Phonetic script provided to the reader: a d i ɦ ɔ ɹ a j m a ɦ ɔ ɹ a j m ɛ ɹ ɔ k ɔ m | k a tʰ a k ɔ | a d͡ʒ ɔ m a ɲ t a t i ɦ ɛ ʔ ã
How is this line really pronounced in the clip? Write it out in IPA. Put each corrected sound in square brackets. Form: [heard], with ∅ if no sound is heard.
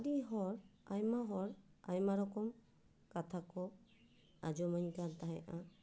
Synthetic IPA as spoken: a d i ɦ ɔ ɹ a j m a ɦ ɔ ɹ a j m [a] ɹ ɔ k ɔ m | k a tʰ a k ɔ | a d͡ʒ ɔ m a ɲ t a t [a] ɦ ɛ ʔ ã